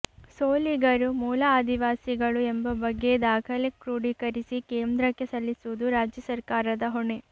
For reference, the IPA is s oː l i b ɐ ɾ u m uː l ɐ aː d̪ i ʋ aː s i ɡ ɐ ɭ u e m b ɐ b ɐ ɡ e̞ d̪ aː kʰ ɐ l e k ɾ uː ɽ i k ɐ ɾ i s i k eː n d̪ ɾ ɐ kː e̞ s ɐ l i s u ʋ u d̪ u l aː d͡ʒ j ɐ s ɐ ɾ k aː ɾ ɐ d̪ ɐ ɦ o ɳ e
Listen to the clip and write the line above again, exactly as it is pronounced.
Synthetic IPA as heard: s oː l i ɡ ɐ ɾ u m uː l ɐ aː d̪ i ʋ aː s i ɡ ɐ ɭ u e m b ɐ b ɐ ɡː e̞ d̪ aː kʰ ɐ l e k ɾ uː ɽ i k ɐ ɾ i s i k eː n d̪ ɾ ɐ kː e̞ s ɐ lː i s u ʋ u d̪ u ɾ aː d͡ʒ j ɐ s ɐ ɾ k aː ɾ ɐ d̪ ɐ ɦ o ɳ e